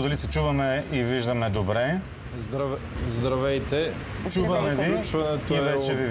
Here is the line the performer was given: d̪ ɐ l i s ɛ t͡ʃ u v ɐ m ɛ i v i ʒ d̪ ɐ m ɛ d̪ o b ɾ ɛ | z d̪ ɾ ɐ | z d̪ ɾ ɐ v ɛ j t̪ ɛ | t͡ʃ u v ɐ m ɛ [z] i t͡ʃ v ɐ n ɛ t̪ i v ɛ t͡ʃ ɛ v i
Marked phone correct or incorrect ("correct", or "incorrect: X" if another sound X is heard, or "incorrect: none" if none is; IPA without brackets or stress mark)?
incorrect: v